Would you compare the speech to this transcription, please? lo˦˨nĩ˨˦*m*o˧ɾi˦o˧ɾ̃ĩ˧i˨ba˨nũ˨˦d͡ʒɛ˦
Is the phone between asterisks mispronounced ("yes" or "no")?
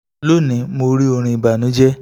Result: no